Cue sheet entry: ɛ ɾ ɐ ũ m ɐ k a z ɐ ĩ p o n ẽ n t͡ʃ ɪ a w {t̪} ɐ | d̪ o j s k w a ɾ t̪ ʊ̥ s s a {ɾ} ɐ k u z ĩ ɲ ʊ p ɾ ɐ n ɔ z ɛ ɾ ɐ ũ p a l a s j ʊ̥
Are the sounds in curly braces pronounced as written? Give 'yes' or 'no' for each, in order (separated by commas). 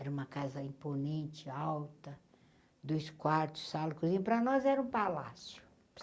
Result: yes, no